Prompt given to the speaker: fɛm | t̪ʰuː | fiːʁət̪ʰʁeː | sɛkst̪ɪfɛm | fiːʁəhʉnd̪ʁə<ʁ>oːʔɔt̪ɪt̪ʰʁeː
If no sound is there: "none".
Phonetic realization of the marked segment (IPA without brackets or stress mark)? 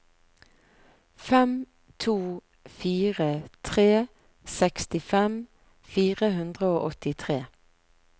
none